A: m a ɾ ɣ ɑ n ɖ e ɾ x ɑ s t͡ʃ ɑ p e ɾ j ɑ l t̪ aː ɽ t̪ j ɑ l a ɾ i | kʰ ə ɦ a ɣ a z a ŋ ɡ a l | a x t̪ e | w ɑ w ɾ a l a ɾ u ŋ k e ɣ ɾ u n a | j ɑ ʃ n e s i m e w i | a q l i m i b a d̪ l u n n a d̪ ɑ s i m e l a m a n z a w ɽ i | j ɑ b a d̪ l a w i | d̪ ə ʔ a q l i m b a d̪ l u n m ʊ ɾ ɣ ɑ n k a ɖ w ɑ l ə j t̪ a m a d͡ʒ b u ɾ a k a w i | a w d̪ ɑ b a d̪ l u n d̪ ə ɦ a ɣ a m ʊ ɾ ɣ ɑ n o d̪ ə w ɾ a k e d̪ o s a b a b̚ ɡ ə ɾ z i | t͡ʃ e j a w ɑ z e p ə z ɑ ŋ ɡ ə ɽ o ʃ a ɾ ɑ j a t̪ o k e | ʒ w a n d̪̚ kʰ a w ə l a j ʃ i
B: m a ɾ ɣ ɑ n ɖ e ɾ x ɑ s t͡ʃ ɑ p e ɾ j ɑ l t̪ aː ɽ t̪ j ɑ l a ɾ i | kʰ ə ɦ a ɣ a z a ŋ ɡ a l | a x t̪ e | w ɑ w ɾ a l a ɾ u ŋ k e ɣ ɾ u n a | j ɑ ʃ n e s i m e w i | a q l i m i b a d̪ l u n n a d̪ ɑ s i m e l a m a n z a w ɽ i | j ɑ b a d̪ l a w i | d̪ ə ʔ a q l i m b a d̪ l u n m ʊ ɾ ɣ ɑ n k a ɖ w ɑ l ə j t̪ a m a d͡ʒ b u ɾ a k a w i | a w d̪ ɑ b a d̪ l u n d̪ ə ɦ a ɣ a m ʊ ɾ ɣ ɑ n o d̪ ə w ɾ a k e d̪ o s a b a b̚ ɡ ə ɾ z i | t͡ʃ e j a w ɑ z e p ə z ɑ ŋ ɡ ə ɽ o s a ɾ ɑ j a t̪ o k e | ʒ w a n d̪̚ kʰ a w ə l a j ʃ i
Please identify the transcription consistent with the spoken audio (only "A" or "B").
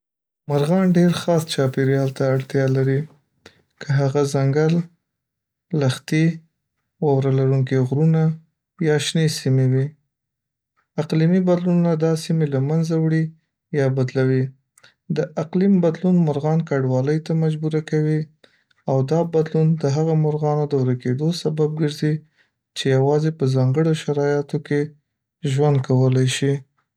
A